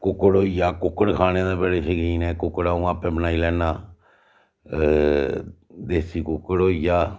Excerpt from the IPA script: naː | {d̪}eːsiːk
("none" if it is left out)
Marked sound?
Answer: d̪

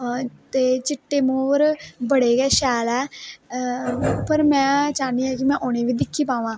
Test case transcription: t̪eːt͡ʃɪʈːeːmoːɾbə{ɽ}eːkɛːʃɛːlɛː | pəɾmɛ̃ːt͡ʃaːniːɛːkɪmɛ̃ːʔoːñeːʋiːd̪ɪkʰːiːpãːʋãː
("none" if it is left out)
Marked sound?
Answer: ɽ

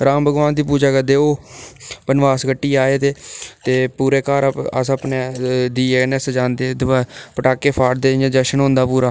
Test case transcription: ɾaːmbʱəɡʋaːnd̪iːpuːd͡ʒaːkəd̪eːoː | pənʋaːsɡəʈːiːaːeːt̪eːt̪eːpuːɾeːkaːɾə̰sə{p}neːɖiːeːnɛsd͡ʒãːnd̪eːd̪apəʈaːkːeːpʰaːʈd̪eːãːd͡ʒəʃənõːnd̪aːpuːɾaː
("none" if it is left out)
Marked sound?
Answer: p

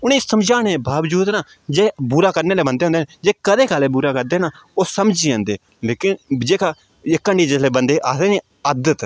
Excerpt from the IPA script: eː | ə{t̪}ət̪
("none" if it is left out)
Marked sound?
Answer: d̪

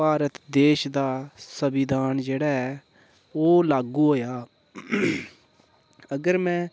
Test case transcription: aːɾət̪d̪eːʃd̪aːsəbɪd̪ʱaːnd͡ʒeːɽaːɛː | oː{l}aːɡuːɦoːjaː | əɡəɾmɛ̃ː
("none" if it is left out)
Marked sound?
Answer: l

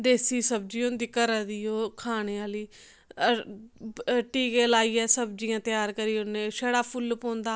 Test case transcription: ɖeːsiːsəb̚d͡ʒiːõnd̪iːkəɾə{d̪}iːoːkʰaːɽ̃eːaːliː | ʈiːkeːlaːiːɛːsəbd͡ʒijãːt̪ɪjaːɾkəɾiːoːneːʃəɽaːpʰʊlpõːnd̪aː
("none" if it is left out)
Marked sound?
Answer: d̪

